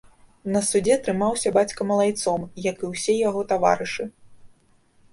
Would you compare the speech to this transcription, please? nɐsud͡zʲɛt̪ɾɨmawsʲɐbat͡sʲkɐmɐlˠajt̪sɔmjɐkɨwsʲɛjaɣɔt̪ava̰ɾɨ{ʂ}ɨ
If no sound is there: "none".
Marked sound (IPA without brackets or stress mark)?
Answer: ʂ